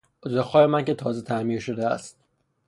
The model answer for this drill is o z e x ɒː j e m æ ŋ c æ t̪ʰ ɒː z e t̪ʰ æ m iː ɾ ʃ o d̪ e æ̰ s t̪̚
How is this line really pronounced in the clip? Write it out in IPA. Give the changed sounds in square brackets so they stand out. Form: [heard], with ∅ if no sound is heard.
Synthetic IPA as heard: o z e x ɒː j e m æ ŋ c [e] t̪ʰ ɒː z e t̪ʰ æ m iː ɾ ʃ o d̪ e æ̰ s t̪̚